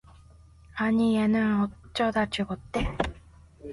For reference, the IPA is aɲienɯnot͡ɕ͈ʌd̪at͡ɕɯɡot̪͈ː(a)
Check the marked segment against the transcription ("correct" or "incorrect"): incorrect